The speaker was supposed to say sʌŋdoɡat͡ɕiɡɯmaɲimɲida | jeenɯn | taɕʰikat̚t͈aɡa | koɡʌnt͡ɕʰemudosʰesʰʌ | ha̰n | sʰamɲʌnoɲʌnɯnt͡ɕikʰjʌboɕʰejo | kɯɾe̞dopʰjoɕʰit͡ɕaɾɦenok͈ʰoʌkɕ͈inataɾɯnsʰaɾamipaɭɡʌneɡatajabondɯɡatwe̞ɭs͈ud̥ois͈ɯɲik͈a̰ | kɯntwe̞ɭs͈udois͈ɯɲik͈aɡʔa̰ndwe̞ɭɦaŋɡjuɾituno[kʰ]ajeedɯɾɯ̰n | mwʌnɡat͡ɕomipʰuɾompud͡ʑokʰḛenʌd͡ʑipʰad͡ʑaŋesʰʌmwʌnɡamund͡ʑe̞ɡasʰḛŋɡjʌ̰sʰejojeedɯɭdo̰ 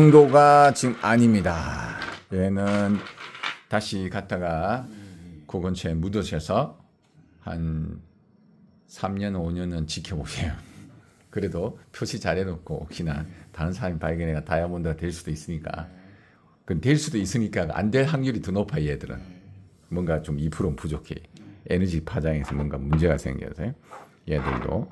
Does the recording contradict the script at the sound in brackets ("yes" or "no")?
yes